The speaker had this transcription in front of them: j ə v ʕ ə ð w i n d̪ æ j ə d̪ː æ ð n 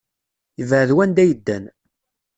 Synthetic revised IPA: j ə v ʕ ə ð w æ n d̪ æ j ə d̪ː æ n